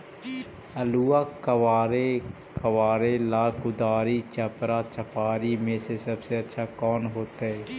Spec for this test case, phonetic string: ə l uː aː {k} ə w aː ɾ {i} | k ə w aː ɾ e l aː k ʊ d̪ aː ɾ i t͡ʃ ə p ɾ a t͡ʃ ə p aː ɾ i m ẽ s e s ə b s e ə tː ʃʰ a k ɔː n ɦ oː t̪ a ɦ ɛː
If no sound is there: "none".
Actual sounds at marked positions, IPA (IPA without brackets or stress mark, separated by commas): k, e